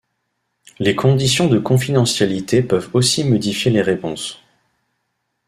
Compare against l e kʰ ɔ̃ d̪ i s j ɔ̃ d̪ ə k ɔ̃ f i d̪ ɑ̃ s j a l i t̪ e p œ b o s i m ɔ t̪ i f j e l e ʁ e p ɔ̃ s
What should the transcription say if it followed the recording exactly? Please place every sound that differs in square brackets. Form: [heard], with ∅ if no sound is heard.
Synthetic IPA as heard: l e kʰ ɔ̃ d̪ i s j ɔ̃ d̪ ə k ɔ̃ f i d̪ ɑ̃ s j a l i t̪ e p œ [v] o s i m ɔ [d̪] i f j e l e ʁ e p ɔ̃ s